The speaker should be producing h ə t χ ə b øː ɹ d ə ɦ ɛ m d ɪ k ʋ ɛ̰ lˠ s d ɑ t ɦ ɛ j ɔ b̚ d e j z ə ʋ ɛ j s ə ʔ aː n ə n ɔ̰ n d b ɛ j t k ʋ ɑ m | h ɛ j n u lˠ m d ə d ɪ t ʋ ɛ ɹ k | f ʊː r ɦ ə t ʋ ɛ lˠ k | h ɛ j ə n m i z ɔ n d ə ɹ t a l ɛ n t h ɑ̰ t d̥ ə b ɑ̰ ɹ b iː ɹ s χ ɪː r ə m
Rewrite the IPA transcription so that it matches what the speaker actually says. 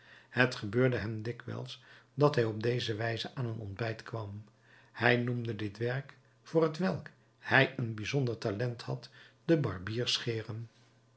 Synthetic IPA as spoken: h ə t χ ə b øː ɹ d ə ɦ ɛ m d ɪ k ʋ ɛ̰ lˠ s d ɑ t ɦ ɛ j ɔ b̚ d e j z ə ʋ ɛ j z ə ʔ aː n ə n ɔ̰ n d b ɛ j t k ʋ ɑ m | h ɛ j n u m d ə d ɪ t ʋ ɛ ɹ k | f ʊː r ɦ ə t ʋ ɛ lˠ k | h ɛ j ə n b i z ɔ n d ə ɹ t a l ɛ n t h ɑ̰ t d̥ ə b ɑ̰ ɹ b iː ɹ s χ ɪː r ə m